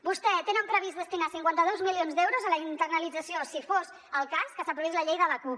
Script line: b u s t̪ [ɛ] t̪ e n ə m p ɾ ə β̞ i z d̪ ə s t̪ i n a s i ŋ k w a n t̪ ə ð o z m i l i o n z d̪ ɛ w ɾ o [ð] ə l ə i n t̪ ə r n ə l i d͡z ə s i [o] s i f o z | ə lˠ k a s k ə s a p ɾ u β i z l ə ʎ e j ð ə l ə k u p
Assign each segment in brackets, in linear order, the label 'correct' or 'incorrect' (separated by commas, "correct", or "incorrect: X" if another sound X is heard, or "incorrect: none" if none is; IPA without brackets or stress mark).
correct, incorrect: z, correct